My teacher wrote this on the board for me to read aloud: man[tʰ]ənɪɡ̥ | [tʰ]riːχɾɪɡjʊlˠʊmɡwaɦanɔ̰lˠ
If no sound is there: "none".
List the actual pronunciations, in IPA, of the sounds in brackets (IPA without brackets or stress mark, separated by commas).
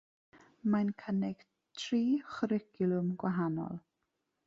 kʰ, tʰ